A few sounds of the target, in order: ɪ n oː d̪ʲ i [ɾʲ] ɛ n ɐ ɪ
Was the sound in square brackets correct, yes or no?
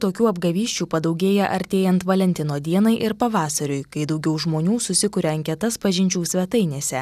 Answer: no